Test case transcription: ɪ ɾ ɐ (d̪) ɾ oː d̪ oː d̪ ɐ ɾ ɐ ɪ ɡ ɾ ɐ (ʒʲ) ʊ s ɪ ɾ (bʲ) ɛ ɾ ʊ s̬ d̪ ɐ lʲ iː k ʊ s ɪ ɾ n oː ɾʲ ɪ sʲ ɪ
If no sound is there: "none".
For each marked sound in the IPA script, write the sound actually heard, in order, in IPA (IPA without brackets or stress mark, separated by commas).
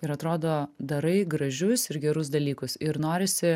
t̪, ʒʲ, ɡʲ